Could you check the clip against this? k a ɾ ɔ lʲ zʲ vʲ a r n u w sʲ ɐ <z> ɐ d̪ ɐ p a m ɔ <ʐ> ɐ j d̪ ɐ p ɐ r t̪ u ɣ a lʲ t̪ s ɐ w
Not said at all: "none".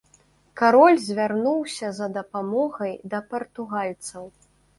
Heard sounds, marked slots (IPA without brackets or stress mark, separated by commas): z, ɣ